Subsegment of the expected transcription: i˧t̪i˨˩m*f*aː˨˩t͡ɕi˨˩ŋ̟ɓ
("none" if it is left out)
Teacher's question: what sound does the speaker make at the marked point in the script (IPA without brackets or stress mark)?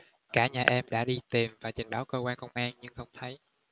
v